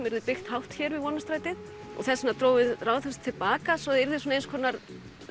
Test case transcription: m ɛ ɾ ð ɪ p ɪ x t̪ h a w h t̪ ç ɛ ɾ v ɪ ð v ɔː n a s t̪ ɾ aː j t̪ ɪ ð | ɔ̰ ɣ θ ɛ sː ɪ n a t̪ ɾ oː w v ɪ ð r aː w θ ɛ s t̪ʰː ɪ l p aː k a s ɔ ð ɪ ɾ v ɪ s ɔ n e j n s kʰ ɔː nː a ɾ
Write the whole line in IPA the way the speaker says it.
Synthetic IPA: m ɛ ɾ ð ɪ p ɪ x t̪ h a w h t̪ ç ɛ ɾ v ɪ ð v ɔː n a s t̪ ɾ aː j t̪ ɪ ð | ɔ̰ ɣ θ ɛ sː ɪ n a t̪ ɾ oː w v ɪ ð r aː w θ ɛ s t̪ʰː ɪ l p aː k a s ɔ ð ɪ ɾ ð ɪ s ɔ n e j n s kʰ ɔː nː a ɾ